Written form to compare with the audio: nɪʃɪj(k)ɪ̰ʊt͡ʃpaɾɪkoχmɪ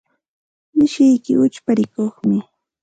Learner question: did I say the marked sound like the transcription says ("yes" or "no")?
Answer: yes